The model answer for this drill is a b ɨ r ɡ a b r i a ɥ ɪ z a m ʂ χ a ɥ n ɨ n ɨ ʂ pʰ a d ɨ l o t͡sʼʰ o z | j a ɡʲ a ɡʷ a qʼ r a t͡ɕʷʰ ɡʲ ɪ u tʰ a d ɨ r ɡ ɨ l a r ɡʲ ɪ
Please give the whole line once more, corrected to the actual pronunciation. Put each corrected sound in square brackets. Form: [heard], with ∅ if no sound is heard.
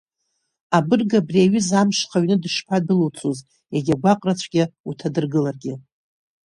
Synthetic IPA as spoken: a b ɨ r ɡ a b r i a ɥ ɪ z a m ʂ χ a ɥ n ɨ [d] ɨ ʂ pʰ a d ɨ l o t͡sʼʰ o z | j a ɡʲ a ɡʷ a qʼ r a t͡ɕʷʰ ɡʲ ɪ u tʰ a d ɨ r ɡ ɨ l a r ɡʲ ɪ